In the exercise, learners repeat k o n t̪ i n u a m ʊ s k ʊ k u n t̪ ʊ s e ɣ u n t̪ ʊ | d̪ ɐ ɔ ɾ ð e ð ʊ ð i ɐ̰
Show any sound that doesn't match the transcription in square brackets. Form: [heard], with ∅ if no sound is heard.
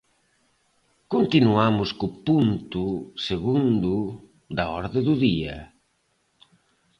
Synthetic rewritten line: k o n t̪ i n u a m ʊ s k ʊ [p] u n t̪ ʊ s e ɣ u n [d̪] ʊ | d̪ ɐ ɔ ɾ ð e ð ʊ ð i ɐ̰